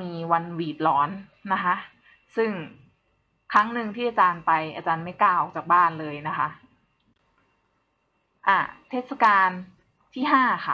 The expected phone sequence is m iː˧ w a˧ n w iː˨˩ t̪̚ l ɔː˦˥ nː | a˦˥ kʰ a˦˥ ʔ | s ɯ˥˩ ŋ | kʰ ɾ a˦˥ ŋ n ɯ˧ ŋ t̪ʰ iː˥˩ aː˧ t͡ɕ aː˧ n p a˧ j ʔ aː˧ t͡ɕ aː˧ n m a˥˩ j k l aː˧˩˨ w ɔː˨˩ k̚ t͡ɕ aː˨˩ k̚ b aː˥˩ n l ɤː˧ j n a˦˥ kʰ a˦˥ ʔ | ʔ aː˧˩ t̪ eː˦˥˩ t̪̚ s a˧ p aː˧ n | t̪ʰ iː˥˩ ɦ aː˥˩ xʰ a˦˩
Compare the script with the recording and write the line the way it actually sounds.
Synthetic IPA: m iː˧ w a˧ n w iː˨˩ t̪̚ l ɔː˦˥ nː | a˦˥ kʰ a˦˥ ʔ | s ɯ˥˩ ŋ | kʰ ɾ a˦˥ ŋ n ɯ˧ ŋ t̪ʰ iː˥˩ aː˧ t͡ɕ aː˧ n p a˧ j ʔ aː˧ t͡ɕ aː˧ n m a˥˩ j k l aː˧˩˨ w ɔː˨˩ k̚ t͡ɕ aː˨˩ k̚ b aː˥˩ n l ɤː˧ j n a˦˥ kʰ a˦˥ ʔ | ʔ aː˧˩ t̪ʰ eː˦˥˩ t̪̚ s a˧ k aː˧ n | t̪ʰ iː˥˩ ɦ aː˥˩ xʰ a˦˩

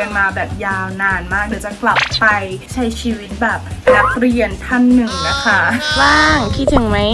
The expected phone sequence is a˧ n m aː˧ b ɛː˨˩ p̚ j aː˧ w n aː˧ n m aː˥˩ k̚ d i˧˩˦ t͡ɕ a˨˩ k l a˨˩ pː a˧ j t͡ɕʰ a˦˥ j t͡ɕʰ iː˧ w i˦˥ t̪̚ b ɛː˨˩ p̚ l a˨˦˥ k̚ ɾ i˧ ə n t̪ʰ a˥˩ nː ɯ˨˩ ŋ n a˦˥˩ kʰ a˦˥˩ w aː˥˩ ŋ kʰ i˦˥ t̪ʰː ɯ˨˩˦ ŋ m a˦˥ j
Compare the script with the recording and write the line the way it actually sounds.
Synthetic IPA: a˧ n m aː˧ b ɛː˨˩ p̚ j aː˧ w n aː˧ n m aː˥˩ k̚ d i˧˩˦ t͡ɕ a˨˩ k l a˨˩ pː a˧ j t͡ɕʰ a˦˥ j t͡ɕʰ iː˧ w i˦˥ t̪̚ b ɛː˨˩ p̚ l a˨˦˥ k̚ ɾ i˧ ə n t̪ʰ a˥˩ nː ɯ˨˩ ŋ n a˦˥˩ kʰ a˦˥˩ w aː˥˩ ŋ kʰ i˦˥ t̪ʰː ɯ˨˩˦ ŋ m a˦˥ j

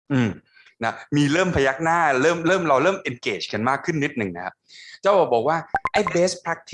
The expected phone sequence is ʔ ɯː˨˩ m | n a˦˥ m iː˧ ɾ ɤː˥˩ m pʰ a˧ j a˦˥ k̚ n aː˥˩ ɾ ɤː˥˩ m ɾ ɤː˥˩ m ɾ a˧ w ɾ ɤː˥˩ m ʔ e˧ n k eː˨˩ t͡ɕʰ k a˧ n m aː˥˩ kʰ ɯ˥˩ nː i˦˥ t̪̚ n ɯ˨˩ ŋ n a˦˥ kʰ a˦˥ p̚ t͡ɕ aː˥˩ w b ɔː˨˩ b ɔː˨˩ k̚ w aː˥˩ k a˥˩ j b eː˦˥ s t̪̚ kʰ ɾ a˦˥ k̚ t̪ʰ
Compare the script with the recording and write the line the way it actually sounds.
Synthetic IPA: ʔ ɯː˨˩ m | n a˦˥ m iː˧ ɾ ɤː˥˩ m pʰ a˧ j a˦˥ k̚ n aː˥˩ ɾ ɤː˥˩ m ɾ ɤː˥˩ m ɾ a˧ w ɾ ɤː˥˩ m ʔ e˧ n k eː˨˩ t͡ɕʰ k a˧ n m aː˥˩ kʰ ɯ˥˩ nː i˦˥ t̪̚ n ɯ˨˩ ŋ n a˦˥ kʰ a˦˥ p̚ t͡ɕ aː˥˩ w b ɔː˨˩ b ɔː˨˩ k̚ w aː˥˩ ʔ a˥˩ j b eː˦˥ s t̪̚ pʰ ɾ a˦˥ k̚ t̪ʰ

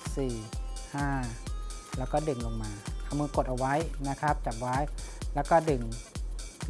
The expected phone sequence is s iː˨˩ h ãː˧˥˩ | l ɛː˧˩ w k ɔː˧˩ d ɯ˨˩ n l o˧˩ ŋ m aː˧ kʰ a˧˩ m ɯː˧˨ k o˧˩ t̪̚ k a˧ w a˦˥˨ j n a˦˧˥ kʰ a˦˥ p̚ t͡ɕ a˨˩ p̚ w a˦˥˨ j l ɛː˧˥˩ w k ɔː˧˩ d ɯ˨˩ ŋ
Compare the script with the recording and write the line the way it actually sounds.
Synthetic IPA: s iː˨˩ h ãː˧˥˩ | l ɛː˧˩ w k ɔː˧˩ d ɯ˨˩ ŋ l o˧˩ ŋ m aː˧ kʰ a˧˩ m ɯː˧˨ k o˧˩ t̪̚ ʔ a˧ w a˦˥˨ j n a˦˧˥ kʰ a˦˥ p̚ t͡ɕ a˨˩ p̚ w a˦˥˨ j l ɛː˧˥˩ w k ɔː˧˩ d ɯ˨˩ ŋ

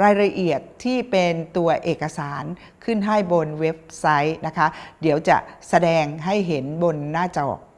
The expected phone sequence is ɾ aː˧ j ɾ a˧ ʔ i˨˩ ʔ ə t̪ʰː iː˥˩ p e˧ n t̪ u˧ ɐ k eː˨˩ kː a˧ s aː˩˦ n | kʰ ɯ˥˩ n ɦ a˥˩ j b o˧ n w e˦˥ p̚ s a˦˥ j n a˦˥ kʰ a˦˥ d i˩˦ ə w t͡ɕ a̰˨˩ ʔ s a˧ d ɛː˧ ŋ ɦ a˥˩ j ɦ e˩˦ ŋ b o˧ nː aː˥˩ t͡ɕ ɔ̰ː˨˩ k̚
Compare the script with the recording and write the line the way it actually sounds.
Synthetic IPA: ɾ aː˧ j ɾ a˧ ʔ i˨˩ ə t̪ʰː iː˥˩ p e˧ n t̪ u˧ ɐ ʔ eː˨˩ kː a˧ s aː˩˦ n | kʰ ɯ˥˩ n ɦ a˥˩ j b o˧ n w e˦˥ p̚ s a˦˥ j n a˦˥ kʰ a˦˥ d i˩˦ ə w t͡ɕ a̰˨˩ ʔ s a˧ d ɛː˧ ŋ ɦ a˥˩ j ɦ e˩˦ n b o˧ nː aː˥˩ t͡ɕ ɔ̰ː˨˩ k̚

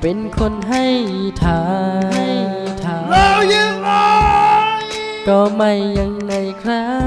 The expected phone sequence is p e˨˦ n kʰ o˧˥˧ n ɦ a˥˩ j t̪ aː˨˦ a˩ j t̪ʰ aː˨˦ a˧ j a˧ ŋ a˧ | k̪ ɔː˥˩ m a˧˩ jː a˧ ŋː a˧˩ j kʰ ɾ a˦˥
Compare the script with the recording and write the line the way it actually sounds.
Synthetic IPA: p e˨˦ n kʰ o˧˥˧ n ɦ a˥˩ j t̪ʰ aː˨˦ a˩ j t̪ʰ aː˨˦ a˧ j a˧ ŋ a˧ | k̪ ɔː˧ m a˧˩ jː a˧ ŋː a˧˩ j kʰ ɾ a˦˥

